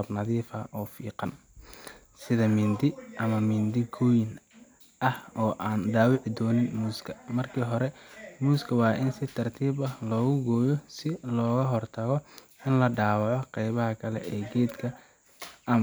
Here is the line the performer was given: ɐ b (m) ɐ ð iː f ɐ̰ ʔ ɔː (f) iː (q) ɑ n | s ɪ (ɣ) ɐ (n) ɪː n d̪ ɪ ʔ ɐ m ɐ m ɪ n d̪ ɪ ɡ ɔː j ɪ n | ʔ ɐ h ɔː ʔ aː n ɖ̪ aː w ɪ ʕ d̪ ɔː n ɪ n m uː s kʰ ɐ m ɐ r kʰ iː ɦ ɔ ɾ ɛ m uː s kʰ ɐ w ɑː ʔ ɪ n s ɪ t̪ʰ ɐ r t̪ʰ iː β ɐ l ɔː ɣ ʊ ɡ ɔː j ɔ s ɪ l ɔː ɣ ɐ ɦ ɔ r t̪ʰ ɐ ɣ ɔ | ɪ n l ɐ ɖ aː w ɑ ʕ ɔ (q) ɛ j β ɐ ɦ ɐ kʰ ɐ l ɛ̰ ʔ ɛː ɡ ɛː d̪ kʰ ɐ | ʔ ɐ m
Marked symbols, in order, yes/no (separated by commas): no, yes, yes, no, no, yes